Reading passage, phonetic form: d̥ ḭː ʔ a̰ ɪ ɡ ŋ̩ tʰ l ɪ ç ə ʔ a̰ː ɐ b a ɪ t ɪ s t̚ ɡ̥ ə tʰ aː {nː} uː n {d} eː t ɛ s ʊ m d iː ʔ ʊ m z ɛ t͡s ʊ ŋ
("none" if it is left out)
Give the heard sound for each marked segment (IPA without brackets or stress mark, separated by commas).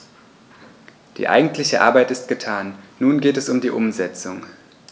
nː, ɡ